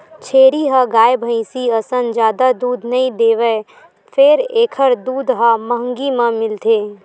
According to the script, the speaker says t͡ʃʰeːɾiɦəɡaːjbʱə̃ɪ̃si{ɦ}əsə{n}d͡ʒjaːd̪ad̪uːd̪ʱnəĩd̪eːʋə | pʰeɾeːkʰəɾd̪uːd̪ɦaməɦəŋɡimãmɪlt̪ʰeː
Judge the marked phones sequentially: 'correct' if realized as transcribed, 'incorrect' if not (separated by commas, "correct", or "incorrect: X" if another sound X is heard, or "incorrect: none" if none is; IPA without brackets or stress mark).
incorrect: none, correct